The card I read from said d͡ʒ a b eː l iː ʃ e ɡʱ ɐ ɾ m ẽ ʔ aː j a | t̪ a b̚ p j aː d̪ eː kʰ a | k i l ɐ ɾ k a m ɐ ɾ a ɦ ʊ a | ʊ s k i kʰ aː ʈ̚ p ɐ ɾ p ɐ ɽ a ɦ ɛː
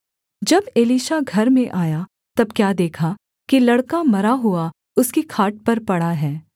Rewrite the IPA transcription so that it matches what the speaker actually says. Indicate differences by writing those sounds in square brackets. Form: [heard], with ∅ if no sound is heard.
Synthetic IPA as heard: d͡ʒ [ɐ] b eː l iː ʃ [a] ɡʱ ɐ ɾ m ẽ ʔ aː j a | t̪ [ɐ] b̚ [k] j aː d̪ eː kʰ a | k i l ɐ [ɽ] k a m ɐ ɾ a ɦ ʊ a | ʊ s k i kʰ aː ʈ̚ p ɐ ɾ p ɐ ɽ a ɦ ɛː